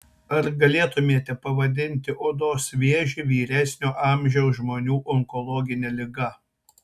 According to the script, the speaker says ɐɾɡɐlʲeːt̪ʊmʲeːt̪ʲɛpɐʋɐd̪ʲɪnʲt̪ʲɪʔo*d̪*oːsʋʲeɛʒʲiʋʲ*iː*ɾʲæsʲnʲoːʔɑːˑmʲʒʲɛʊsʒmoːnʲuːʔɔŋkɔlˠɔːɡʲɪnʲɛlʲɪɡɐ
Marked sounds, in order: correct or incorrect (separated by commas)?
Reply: correct, correct